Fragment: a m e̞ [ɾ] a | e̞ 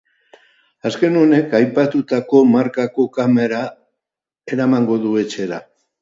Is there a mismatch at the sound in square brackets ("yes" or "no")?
no